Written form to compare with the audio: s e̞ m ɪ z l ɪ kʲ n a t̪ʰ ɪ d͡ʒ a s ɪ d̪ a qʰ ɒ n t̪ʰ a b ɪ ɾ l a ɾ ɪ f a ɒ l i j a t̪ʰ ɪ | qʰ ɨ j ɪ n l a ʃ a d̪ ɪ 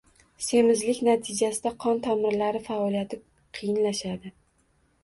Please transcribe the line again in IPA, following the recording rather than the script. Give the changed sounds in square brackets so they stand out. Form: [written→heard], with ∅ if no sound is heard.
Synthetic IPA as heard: s e̞ m ɪ z l ɪ kʲ n a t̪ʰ ɪ d͡ʒ a s ɪ d̪ a qʰ ɒ n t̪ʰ a [b→m] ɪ ɾ l a ɾ ɪ f a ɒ l i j a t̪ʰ ɪ | qʰ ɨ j ɪ n l a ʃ a d̪ ɪ